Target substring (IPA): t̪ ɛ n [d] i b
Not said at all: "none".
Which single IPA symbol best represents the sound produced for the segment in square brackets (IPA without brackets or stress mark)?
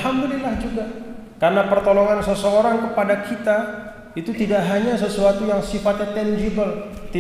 d͡ʒ